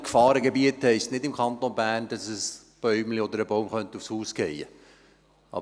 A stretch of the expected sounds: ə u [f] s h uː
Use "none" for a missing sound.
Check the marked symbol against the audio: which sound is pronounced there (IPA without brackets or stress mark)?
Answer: f